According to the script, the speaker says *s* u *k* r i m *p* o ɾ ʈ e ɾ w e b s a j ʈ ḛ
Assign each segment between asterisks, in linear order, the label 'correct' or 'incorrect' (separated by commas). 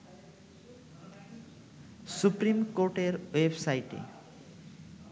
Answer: correct, incorrect, incorrect